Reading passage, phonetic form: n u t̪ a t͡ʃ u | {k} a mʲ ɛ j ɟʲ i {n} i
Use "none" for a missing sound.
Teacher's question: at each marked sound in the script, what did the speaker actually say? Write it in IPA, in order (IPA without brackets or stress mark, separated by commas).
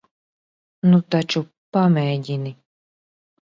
p, n